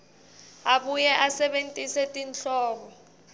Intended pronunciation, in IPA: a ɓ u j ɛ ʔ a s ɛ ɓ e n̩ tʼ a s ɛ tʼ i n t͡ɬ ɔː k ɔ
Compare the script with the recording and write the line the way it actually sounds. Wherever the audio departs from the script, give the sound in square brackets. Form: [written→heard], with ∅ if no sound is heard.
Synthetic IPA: a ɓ u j ɛ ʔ a s ɛ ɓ e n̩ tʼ [a→i] s ɛ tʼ i n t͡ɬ ɔː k ɔ